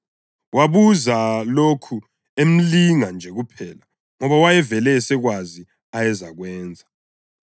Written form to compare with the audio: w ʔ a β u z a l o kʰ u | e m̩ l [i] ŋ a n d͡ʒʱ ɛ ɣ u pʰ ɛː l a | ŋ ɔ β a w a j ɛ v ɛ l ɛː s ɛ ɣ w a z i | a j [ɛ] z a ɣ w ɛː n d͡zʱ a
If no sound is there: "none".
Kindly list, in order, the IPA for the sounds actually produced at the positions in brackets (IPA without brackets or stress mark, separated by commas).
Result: i, ɛ